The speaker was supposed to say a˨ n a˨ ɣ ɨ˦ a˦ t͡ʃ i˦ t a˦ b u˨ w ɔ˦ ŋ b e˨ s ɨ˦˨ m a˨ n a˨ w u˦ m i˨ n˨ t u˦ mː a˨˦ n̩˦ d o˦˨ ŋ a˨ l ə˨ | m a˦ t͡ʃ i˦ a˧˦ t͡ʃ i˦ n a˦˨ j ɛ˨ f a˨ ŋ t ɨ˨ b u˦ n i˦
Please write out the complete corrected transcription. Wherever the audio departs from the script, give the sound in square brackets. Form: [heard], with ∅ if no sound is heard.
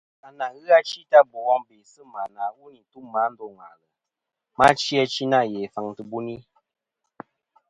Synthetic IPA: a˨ n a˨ ɣ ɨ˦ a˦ t͡ʃ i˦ t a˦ b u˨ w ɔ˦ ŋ b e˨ s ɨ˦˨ m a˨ n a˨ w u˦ [n] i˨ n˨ t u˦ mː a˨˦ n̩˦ d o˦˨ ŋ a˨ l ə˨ | m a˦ t͡ʃ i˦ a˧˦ t͡ʃ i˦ n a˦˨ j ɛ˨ f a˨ ŋ t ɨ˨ b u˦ n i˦